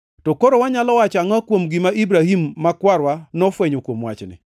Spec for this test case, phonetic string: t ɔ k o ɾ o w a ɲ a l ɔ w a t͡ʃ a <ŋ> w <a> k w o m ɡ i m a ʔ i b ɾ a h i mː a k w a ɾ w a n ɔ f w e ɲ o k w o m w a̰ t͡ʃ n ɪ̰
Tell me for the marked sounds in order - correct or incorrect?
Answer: correct, correct

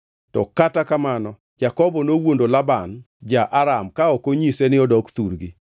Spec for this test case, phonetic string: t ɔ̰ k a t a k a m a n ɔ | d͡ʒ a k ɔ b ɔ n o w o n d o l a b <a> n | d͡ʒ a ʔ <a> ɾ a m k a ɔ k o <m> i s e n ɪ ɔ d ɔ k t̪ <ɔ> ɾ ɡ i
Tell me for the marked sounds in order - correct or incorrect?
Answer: correct, correct, incorrect, incorrect

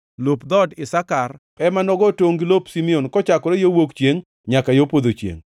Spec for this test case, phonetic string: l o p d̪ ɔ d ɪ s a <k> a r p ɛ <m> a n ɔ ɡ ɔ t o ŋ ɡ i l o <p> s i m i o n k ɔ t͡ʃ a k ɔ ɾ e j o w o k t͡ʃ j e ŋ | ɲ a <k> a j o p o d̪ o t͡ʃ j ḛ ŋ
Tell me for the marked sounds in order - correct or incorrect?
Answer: correct, correct, correct, correct

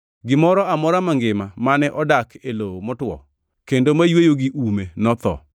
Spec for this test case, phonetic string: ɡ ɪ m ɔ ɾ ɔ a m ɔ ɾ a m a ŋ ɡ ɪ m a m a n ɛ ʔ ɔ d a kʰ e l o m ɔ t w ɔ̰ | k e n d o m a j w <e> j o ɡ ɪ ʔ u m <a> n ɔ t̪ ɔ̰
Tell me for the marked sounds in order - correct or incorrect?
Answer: correct, incorrect

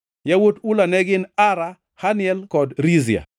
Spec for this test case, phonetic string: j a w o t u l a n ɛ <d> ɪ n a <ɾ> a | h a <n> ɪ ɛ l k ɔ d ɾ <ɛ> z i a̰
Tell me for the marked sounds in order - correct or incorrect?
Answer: incorrect, correct, correct, incorrect

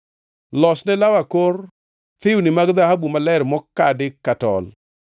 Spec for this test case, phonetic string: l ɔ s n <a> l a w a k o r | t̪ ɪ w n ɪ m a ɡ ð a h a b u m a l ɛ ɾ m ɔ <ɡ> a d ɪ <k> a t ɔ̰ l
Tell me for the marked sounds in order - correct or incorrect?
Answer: incorrect, incorrect, correct

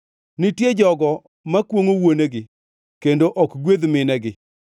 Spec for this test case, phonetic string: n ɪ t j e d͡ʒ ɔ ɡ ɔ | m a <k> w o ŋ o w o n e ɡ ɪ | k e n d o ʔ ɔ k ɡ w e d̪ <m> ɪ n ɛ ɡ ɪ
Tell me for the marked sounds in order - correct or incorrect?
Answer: correct, correct

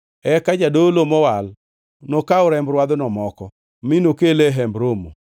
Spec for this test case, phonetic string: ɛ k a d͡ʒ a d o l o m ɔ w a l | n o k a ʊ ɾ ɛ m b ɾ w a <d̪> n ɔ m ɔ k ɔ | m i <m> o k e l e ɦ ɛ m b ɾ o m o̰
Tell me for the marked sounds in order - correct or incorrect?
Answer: correct, incorrect

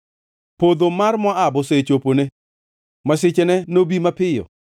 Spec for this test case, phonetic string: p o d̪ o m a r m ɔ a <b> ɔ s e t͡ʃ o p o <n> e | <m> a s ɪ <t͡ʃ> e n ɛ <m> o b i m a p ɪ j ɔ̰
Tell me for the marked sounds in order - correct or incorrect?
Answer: correct, correct, correct, correct, incorrect

